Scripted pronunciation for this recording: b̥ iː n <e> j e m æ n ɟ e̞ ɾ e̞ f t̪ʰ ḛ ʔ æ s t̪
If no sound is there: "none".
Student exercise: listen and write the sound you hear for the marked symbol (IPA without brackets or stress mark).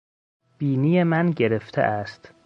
i